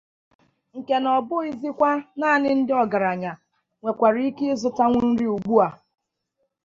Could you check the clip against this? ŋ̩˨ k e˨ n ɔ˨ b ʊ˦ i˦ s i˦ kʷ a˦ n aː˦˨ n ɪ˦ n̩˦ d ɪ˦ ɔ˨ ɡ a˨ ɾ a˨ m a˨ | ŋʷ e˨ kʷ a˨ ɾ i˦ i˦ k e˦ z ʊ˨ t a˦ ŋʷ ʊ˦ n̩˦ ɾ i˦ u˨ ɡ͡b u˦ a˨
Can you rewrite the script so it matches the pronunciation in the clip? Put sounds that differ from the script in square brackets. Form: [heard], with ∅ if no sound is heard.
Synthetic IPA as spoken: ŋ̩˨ k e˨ n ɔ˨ b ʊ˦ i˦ [z] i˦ kʷ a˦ n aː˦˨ n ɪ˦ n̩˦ d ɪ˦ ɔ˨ ɡ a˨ ɾ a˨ [ɲ] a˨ | ŋʷ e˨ kʷ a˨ ɾ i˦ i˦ k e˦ z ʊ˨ t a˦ ŋʷ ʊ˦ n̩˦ ɾ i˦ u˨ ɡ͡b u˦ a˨